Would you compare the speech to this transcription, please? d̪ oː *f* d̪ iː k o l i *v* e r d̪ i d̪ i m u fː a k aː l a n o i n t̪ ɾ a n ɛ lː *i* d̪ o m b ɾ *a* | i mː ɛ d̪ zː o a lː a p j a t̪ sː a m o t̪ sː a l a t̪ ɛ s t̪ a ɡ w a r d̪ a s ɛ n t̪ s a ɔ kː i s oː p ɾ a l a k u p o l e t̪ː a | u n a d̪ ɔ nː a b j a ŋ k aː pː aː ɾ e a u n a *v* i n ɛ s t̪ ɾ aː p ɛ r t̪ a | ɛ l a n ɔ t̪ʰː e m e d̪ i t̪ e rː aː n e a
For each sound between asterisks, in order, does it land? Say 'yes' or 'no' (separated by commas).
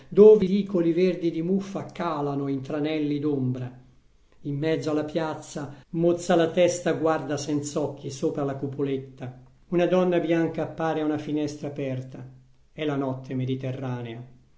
no, yes, yes, yes, no